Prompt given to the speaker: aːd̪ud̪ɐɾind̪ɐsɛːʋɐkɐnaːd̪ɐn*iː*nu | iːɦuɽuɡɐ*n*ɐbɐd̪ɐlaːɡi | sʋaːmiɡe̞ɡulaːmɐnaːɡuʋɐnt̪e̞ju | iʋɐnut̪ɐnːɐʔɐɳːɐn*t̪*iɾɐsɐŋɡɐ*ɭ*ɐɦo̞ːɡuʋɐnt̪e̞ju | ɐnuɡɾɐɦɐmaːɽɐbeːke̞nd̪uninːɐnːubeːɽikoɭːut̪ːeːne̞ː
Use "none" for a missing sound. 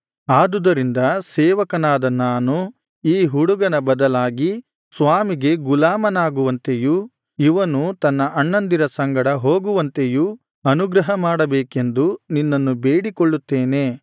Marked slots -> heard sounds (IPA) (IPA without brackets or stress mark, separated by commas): aː, n, d̪, ɽ